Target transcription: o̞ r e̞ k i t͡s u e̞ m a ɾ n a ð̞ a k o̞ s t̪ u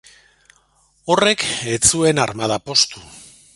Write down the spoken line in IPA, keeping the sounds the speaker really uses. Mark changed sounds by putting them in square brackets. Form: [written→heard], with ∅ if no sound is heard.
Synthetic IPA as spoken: o̞ r e̞ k [i→e] t͡s u e̞ [m→n] a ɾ [n→m] a ð̞ a [k→p] o̞ s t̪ u